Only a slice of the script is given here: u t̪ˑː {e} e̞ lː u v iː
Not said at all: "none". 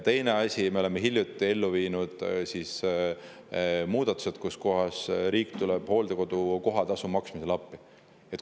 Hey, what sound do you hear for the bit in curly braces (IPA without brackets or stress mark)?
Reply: i